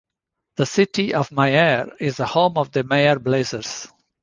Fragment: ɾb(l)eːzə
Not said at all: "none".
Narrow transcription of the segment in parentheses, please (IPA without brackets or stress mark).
l